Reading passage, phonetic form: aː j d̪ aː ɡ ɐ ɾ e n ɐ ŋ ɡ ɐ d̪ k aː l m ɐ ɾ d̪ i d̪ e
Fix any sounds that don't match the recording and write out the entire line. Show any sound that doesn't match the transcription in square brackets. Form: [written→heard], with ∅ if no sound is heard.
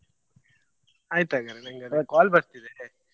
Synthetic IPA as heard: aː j [d̪→t̪] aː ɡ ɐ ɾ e n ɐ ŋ ɡ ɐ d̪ k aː l [m→b] ɐ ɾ [d̪→t̪] i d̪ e